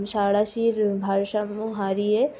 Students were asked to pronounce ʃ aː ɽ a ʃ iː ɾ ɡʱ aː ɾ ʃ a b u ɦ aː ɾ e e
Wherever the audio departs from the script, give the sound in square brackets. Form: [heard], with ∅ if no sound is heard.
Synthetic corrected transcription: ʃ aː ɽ a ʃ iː ɾ [bʱ] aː ɾ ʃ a [m] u ɦ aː ɾ [i] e